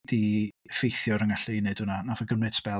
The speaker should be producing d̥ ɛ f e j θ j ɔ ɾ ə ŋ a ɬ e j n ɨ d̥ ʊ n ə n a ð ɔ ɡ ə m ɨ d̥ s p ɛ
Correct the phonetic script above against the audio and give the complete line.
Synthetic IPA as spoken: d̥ i f e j θ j ɔ ɾ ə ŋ a ɬ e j n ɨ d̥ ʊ n a n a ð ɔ ɡ ə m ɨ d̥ s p ɛ